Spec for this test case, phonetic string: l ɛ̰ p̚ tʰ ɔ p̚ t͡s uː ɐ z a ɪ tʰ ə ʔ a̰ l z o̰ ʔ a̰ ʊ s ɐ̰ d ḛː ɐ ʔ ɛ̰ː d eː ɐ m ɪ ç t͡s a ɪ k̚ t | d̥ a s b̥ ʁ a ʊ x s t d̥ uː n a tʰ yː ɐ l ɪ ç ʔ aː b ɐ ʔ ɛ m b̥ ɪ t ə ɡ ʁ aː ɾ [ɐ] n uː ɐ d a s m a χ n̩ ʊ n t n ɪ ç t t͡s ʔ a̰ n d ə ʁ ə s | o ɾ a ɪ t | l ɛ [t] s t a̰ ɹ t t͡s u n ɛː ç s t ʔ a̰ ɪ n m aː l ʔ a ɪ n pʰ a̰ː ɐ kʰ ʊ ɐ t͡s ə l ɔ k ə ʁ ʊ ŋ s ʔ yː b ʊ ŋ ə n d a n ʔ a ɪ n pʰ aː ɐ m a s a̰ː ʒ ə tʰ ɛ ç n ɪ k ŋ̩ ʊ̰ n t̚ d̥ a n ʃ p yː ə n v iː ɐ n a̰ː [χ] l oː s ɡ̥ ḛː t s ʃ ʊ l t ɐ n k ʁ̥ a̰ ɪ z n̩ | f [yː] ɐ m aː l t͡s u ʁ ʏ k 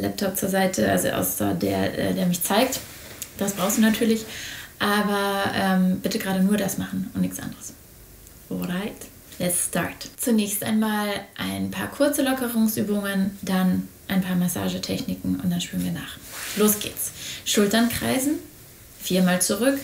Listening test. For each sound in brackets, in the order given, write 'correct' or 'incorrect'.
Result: incorrect, correct, correct, incorrect

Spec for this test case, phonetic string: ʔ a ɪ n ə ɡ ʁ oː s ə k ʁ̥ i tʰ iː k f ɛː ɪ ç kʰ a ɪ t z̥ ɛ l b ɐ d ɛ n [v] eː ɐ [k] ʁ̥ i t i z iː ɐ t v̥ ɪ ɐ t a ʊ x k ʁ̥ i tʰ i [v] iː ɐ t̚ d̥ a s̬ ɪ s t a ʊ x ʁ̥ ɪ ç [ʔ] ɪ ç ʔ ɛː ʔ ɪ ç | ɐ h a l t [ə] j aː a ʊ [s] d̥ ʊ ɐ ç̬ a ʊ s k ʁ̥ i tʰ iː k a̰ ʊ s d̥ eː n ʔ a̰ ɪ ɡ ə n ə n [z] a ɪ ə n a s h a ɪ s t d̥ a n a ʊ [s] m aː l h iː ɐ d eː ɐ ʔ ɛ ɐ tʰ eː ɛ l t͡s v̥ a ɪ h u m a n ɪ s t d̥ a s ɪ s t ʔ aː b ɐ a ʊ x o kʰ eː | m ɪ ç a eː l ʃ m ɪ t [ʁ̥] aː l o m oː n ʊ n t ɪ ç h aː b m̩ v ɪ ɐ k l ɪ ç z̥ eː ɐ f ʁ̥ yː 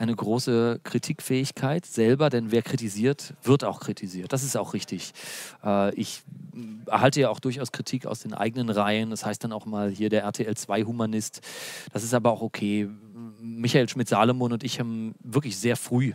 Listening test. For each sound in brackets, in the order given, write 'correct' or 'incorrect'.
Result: correct, correct, incorrect, incorrect, correct, incorrect, incorrect, incorrect, incorrect

